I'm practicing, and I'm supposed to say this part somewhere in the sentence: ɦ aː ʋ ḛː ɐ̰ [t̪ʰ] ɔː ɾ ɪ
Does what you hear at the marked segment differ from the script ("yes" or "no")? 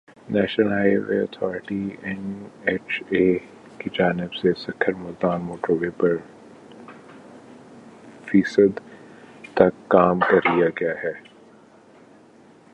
no